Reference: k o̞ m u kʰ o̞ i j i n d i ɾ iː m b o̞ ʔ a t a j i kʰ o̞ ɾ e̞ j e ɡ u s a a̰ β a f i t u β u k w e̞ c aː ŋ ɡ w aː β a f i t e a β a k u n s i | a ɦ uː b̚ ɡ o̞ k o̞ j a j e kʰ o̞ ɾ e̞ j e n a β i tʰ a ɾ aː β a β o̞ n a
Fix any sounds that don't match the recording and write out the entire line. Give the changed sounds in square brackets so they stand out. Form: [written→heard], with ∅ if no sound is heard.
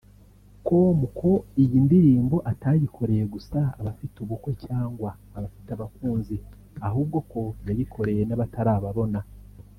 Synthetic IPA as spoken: k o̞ m u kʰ o̞ i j i n d i ɾ iː m b o̞ ʔ a t a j i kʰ o̞ ɾ e̞ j e ɡ u s a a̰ β a f i t u β u k w e̞ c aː ŋ ɡ w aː β a f i t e a β a k [u→uː] n [s→z] i | a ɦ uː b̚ ɡ o̞ k o̞ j a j [e→i] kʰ o̞ ɾ e̞ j e n a β [i→a] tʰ a ɾ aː β a β o̞ n a